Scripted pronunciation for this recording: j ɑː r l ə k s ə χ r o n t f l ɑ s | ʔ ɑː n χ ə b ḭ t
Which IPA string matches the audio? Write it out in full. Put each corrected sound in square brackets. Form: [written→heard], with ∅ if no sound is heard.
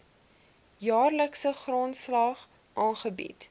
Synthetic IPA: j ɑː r l ə k s ə χ r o n t [f→s] l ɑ [s→χ] | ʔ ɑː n χ ə b ḭ t

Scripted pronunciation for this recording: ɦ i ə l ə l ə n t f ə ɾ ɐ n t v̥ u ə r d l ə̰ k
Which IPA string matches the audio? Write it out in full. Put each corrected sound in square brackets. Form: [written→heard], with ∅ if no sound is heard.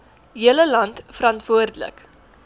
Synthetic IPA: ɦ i ə l ə l [ə→ɐ] n t f ə ɾ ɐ n t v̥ u ə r d l ə̰ k

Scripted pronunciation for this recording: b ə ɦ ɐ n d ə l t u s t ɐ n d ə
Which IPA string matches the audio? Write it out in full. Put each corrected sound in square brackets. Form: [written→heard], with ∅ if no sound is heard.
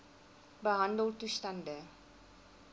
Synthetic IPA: b ə ɦ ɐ n d ə l t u s t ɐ n d ə

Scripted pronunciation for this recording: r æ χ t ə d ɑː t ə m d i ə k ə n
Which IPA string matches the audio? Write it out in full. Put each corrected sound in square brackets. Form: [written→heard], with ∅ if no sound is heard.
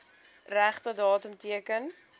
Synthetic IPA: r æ χ t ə d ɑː t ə m [d→t] i ə k ə n

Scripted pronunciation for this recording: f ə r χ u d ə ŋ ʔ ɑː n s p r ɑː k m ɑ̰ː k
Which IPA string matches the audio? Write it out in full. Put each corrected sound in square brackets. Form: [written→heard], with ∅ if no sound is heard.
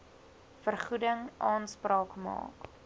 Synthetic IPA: f ə r χ u d ə ŋ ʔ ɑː n s p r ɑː k m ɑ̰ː k

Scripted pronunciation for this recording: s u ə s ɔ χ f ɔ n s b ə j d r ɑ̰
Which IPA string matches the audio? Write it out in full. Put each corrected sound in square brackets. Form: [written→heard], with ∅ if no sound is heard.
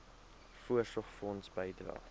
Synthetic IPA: [s→f] u ə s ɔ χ f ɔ n s b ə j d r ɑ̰

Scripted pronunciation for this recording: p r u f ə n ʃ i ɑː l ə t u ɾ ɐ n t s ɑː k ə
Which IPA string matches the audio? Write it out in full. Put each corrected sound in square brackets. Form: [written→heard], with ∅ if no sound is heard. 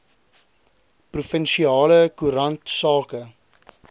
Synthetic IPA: p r u f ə n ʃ i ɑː l ə [t→k] u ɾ ɐ n t s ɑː k ə

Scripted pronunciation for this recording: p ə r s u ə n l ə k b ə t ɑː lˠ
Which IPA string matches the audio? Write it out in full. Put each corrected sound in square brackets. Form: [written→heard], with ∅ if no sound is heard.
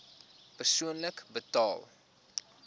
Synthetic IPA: p ə r s u ə n l ə k b ə t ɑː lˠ

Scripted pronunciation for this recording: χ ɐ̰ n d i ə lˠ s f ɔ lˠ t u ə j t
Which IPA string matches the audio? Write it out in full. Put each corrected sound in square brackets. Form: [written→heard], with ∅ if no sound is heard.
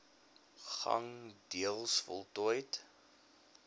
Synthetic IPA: χ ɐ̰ [n→ŋ] d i ə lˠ s f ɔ lˠ t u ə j t

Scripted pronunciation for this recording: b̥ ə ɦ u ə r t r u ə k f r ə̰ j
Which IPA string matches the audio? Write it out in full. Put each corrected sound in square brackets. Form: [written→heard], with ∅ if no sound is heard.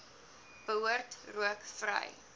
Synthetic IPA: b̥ ə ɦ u ə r t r u ə k f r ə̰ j

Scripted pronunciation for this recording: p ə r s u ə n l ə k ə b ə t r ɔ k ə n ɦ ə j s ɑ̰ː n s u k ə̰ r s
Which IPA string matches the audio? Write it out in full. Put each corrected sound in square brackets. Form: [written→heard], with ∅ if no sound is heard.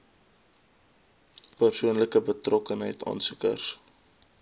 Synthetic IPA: p ə r s u ə n l ə k ə b ə t r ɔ k ə n ɦ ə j [s→t] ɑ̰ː n s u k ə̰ r s

